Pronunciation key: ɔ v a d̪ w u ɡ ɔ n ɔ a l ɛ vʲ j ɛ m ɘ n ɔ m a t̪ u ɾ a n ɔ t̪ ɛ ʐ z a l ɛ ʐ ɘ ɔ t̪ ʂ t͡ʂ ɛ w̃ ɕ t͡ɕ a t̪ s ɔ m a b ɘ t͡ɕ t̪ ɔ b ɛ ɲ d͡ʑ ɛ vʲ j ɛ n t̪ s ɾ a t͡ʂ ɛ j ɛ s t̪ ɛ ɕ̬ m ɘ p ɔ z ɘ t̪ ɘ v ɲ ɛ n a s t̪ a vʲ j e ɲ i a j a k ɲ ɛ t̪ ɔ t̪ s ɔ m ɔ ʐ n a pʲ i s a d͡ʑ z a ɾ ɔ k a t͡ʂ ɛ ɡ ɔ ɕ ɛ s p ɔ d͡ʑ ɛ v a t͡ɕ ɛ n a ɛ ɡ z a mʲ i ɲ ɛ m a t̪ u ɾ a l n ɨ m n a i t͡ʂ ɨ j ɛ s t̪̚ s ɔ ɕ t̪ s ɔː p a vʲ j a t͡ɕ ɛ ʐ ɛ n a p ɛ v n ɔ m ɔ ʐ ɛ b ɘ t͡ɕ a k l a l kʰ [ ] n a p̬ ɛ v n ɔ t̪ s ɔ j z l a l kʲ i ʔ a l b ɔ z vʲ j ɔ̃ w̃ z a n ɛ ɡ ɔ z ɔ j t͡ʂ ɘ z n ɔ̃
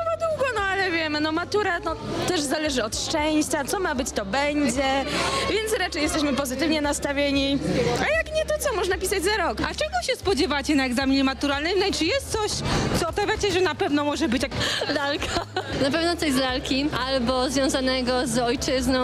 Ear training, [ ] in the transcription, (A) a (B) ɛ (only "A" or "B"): A